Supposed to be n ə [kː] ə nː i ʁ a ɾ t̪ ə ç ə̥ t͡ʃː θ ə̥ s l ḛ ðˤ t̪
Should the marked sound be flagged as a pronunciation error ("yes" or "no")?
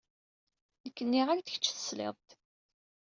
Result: no